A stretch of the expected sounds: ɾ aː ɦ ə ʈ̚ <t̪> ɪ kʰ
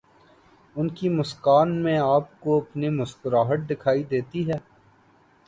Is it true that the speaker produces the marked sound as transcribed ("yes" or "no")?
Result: no